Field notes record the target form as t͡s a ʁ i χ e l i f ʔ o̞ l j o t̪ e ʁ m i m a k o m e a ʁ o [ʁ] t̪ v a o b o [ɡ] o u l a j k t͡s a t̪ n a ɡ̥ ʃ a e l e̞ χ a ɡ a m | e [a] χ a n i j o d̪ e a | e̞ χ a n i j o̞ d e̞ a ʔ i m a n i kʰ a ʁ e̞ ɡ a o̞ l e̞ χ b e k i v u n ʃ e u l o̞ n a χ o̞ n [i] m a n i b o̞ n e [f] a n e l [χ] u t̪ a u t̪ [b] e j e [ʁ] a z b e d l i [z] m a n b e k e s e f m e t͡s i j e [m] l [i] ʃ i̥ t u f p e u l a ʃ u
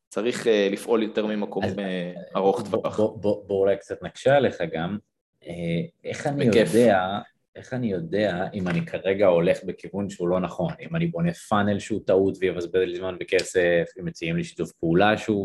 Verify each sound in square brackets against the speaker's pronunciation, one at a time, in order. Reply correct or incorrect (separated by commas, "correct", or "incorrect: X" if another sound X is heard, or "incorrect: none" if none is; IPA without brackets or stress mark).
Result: incorrect: χ, incorrect: b, incorrect: e, correct, correct, incorrect: ʃ, incorrect: v, incorrect: v, correct, correct, correct